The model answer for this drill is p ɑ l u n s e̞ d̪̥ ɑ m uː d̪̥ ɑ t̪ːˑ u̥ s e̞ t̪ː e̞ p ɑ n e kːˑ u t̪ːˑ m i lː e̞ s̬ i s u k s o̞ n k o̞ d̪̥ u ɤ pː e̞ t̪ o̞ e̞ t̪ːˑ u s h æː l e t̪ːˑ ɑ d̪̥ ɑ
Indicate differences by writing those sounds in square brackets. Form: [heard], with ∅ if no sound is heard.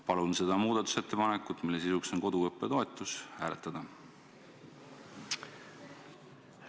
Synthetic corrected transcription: p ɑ l u n s e̞ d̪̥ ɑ m uː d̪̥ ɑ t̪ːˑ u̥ s e̞ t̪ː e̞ p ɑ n e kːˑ u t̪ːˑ m i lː e̞ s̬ i s u k s o̞ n k o̞ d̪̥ u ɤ pː e̞ t̪ o̞ e̞ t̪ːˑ u s h æː l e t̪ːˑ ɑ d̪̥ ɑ

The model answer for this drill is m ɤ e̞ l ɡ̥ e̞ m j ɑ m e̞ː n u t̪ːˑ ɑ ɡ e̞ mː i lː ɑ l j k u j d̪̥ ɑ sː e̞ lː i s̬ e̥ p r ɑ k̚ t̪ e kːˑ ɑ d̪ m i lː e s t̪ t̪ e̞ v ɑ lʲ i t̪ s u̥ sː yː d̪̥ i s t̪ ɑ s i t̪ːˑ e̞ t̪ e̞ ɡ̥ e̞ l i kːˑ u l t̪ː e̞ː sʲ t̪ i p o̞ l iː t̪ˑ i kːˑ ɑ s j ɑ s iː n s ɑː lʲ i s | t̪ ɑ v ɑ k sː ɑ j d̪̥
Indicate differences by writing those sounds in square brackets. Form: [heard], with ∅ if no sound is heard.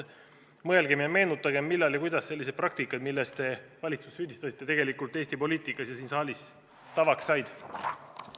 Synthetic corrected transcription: m ɤ e̞ l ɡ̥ e̞ m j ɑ m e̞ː n u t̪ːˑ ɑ ɡ e̞ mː i lː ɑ l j k u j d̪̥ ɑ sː e̞ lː i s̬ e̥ p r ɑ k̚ t̪ [i] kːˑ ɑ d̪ m i lː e s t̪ t̪ e̞ v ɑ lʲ i t̪ s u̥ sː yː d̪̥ i s t̪ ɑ s i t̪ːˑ e̞ t̪ e̞ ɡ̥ e̞ l i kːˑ u l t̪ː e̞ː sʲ t̪ i p o̞ l iː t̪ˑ i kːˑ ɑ s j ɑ s iː n s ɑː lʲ i s | t̪ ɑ v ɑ k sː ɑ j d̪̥

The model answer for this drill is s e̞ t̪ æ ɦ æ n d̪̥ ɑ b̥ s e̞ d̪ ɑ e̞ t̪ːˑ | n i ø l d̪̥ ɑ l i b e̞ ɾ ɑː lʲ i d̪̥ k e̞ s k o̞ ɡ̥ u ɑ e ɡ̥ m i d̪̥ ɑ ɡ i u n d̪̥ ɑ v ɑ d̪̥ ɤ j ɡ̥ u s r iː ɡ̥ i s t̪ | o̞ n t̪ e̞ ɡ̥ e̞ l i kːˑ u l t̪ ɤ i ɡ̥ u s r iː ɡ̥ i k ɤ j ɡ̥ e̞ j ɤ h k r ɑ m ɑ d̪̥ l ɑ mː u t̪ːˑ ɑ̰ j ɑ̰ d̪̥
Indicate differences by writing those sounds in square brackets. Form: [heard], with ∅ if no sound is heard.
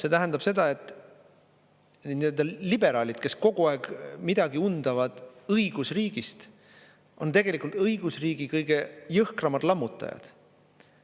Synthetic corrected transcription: s e̞ t̪ æ ɦ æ n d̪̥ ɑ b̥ s e̞ d̪ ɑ e̞ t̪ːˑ | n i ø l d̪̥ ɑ l i b e̞ ɾ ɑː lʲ i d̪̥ k e̞ s k o̞ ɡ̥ u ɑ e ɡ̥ m i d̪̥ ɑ ɡ i u n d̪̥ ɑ v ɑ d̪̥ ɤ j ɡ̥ u s r iː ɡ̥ i s t̪ | o̞ n t̪ e̞ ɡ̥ e̞ l i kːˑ u l t̪ ɤ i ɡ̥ u s r iː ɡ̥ i k ɤ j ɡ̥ e̞ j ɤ h k r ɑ m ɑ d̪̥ l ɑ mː u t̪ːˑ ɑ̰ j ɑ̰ d̪̥

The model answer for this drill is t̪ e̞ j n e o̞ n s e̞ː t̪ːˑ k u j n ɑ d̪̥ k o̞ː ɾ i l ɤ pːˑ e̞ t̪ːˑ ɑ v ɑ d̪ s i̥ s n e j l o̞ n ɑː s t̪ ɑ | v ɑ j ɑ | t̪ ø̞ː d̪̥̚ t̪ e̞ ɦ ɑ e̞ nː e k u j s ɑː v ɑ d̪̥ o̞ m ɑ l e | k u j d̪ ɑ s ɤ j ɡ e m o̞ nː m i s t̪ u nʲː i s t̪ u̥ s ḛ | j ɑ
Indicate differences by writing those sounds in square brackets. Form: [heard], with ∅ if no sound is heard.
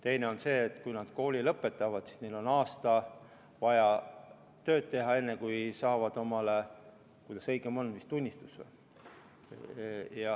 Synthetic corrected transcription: t̪ e̞ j n e o̞ n s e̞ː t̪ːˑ k u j n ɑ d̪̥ k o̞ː [l] i l ɤ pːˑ e̞ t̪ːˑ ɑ v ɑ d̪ s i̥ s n e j l o̞ n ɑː s t̪ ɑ | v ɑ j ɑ | t̪ ø̞ː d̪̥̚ t̪ e̞ ɦ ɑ e̞ nː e k u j s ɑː v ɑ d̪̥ o̞ m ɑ l e | k u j d̪ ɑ s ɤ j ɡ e m o̞ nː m i s t̪ u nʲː i s t̪ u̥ s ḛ | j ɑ

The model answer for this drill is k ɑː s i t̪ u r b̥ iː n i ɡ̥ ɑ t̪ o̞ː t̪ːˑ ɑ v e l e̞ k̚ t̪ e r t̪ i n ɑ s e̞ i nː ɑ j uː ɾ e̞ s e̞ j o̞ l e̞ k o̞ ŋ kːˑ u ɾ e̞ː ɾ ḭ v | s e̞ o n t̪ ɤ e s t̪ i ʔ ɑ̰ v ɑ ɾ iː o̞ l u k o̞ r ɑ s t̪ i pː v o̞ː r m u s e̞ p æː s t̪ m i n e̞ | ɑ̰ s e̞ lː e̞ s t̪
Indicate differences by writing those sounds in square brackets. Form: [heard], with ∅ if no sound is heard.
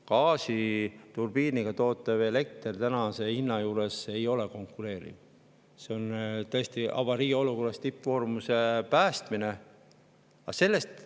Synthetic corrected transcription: k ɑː s i t̪ u r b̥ iː n i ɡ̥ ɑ t̪ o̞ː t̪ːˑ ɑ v e l e̞ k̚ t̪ e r t̪ [æ] n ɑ s e̞ i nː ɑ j uː ɾ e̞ s e̞ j o̞ l e̞ k o̞ ŋ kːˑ u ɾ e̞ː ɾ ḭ v | s e̞ o n t̪ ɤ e s t̪ i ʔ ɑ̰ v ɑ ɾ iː o̞ l u k o̞ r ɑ s t̪ i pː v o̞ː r m u s e̞ p æː s t̪ m i n e̞ | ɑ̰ s e̞ lː e̞ s t̪

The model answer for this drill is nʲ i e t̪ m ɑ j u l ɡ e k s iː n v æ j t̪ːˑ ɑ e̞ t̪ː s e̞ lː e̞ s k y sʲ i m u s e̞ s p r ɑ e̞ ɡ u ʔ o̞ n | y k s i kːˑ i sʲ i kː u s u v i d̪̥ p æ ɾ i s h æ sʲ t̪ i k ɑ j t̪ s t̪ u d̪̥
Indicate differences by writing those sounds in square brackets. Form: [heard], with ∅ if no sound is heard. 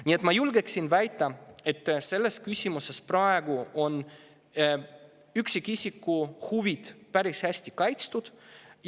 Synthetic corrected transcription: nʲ i e t̪ m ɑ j u l ɡ e k s [i] n v æ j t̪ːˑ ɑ e̞ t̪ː s e̞ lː e̞ s k y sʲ i m u s e̞ s p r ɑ e̞ ɡ u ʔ o̞ n | y k s i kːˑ i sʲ i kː u [h] u v i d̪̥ p æ ɾ i s h æ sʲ t̪ i k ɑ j t̪ s t̪ u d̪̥

